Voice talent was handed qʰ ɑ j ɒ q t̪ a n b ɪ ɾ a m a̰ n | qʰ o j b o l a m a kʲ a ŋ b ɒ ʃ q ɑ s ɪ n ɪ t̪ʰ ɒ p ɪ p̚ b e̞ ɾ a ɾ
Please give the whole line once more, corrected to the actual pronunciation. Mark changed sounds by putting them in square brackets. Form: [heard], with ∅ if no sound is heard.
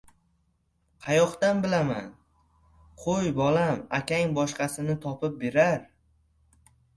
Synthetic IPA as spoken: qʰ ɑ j ɒ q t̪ a n b ɪ [l] a m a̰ n | qʰ o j b [ɒ] l a m a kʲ a ŋ b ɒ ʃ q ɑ s ɪ n ɪ t̪ʰ ɒ p ɪ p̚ b e̞ ɾ a ɾ